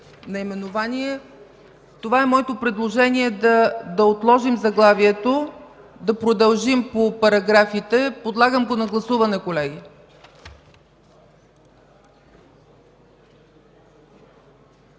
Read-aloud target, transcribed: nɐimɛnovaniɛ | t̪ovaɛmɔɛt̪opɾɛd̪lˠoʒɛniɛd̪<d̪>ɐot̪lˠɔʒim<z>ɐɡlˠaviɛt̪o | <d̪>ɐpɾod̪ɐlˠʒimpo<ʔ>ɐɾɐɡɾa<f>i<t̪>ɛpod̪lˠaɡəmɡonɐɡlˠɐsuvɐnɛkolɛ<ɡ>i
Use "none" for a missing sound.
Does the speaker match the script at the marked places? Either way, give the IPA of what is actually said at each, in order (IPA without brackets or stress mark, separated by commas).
d̪, z, d̪, p, f, t̪, ɡ